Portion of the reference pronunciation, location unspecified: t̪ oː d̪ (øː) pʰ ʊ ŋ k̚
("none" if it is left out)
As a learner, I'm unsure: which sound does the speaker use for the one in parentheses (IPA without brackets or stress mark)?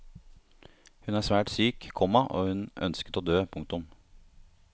øː